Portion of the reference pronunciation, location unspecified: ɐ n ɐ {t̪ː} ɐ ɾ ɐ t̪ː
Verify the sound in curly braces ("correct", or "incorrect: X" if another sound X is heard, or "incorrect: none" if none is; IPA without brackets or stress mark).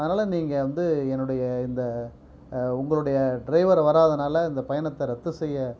correct